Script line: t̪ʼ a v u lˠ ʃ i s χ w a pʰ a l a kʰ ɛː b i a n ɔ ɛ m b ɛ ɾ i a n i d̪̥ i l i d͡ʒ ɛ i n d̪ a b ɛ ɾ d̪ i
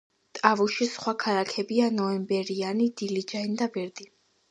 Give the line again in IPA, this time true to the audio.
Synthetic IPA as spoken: t̪ʼ a v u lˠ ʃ i s χ w a kʰ a l a kʰ ɛ b i a n ɔ ɛ m b ɛ ɾ i a n i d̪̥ i l i d͡ʒ a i n d̪ a b ɛ ɾ d̪ i